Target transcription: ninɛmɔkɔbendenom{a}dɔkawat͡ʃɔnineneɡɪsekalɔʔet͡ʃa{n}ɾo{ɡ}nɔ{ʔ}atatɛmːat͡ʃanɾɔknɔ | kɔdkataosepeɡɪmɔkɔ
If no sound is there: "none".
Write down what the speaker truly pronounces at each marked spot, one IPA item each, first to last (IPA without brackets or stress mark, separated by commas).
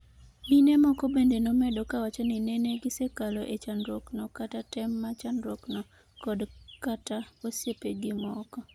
ɛ, n, k, k